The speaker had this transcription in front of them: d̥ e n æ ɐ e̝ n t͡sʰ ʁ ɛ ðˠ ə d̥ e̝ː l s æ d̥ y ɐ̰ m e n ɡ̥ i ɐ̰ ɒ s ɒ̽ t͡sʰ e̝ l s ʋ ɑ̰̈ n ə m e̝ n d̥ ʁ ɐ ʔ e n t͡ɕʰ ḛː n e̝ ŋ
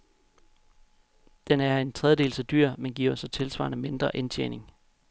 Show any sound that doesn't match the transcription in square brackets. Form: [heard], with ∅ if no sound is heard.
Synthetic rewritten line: d̥ e n æ ɐ e̝ n t͡sʰ ʁ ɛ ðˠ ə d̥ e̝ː l s æ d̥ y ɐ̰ m e n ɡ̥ i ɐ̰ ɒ s ɒ̽ t͡sʰ e̝ l s ʋ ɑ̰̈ n ə m e̝ n d̥ ʁ ɐ ʔ e n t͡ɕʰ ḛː n e̝ ŋ